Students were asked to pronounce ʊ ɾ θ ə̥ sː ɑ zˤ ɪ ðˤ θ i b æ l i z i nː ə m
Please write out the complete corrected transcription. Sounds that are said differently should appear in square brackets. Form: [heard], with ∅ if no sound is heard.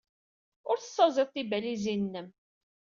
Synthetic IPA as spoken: ʊ ɾ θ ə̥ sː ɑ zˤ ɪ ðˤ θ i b æ l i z i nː ə m